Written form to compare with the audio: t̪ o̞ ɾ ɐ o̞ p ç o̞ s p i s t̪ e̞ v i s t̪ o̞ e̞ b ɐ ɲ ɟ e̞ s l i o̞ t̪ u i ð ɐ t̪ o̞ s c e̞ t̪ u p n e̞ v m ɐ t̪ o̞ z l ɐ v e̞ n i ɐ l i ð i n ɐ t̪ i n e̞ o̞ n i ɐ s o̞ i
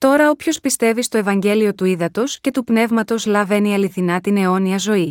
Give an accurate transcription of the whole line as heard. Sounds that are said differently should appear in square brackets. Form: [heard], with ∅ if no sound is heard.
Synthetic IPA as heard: t̪ o̞ ɾ ɐ o̞ p ç o̞ s p i s t̪ e̞ v i s t̪ o̞ e̞ [v] ɐ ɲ ɟ e̞ [∅] l i o̞ t̪ u i ð ɐ t̪ o̞ s c e̞ t̪ u p n e̞ v m ɐ t̪ o̞ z l ɐ v e̞ n i ɐ l i [θ] i n ɐ t̪ i n e̞ o̞ n i ɐ [z] o̞ i